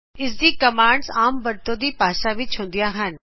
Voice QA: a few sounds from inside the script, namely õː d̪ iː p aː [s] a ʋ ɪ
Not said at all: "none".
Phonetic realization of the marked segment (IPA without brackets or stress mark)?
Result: ʃ